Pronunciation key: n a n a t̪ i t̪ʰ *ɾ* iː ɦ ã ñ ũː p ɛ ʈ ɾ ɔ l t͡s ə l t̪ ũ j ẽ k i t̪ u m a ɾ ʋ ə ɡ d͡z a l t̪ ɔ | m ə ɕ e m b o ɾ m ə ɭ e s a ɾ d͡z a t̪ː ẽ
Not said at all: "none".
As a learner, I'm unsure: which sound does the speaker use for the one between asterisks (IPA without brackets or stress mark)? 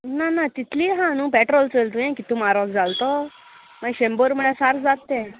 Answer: l